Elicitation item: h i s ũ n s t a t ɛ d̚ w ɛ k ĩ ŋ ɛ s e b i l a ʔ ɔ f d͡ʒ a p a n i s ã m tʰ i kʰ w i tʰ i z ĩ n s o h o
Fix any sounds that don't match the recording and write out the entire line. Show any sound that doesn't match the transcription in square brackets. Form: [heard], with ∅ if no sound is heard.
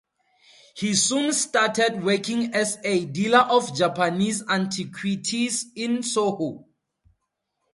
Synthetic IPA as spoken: h i s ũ n s t a t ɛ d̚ w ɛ k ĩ ŋ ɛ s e [d] i l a ʔ ɔ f d͡ʒ a p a n i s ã [n] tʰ i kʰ w i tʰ i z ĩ n s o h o